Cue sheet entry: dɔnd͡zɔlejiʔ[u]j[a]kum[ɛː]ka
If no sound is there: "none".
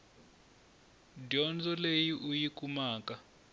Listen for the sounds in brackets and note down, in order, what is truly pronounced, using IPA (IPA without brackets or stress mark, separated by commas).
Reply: u, i, aː